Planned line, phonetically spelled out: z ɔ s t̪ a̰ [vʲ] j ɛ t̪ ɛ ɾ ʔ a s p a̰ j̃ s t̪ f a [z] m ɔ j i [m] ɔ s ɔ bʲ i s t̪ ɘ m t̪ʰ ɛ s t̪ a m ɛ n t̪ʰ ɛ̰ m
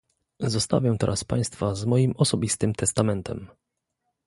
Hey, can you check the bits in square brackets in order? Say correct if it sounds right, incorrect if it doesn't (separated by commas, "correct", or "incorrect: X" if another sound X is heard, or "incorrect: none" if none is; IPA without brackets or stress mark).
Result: correct, correct, correct